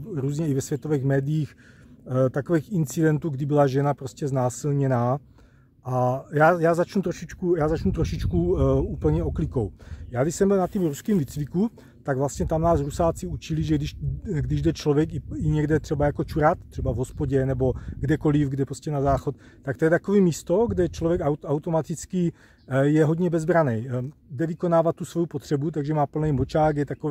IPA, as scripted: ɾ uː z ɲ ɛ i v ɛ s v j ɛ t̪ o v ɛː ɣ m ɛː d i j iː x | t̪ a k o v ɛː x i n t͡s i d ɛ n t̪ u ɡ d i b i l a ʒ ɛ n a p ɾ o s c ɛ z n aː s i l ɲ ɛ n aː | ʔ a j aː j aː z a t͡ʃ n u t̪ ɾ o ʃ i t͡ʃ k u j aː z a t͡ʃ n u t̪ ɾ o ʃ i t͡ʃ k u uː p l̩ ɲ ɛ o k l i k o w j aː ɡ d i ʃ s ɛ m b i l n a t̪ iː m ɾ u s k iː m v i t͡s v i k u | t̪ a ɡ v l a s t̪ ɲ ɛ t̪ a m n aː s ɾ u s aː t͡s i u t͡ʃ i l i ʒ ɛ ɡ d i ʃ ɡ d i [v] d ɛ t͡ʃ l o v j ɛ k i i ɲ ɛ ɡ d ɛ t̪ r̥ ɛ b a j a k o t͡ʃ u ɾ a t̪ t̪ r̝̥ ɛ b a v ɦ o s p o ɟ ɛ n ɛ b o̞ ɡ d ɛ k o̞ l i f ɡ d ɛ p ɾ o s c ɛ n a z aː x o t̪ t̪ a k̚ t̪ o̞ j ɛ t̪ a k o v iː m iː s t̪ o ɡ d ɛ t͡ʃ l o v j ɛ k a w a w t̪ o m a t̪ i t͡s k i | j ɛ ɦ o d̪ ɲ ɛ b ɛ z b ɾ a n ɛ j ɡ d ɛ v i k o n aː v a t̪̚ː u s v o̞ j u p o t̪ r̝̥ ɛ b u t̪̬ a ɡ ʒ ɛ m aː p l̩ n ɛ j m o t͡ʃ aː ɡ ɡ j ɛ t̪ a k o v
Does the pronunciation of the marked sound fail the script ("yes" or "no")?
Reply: yes